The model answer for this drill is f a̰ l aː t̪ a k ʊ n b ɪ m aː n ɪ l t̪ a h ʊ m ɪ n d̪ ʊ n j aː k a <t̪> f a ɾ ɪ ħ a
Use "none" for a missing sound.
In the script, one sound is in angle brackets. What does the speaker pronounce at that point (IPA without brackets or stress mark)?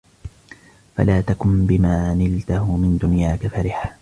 none